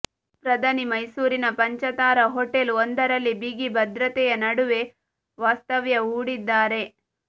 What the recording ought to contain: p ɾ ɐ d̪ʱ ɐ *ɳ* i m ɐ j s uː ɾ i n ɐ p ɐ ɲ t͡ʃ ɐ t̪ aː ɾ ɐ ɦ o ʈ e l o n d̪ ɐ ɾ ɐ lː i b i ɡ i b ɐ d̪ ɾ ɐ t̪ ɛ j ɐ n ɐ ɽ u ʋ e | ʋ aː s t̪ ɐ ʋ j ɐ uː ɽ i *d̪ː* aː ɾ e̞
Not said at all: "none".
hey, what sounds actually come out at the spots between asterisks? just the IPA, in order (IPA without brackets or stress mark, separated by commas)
n, d̪ː